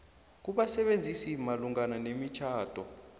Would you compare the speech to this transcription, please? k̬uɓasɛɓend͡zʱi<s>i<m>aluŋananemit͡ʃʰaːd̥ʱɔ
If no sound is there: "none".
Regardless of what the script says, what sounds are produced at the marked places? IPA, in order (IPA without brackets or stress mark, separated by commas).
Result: s, m